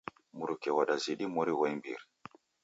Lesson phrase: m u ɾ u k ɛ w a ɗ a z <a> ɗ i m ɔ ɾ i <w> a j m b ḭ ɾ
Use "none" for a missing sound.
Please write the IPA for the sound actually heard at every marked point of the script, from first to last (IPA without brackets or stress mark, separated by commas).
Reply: i, w